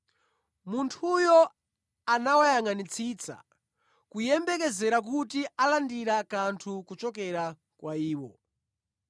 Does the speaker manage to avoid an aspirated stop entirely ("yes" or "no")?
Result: no